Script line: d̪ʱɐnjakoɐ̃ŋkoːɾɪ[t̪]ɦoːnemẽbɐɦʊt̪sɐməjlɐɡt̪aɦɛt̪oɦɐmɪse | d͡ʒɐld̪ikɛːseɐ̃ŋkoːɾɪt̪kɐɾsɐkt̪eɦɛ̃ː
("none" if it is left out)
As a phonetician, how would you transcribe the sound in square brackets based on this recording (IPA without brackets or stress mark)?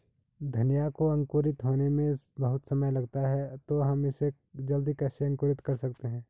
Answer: t̪